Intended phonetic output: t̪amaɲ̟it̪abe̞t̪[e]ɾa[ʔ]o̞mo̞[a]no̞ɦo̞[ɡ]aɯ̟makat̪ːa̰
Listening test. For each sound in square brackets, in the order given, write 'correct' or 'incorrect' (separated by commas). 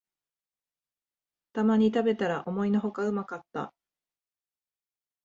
incorrect, correct, incorrect, incorrect